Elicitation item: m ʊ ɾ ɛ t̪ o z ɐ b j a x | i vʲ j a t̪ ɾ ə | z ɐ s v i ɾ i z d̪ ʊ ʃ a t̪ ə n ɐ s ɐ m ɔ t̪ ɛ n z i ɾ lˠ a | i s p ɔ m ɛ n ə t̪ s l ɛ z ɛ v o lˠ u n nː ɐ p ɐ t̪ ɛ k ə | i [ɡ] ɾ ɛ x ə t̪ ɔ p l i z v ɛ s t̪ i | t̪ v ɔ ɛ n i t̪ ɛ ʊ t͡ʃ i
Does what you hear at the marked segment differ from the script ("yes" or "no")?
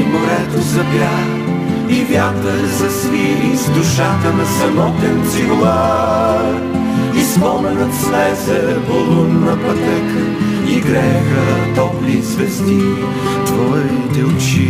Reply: no